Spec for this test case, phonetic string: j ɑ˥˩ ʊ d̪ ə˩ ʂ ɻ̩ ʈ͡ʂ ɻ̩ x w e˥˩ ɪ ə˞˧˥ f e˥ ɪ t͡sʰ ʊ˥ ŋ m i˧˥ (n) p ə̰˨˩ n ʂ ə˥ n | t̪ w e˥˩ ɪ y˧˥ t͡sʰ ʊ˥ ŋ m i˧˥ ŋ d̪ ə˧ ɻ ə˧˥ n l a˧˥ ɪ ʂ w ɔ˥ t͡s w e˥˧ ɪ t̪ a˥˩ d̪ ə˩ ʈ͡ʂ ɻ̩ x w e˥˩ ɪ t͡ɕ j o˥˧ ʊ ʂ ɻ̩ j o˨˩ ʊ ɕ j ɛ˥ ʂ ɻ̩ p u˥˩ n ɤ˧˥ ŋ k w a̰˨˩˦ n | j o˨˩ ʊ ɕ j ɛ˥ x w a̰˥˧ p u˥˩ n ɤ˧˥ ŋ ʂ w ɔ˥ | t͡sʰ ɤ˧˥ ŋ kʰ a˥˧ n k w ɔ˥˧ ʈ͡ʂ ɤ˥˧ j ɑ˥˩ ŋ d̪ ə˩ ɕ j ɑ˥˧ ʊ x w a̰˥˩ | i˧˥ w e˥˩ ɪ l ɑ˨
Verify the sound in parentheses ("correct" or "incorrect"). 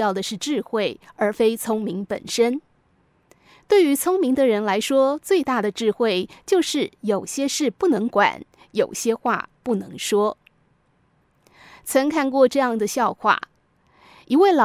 incorrect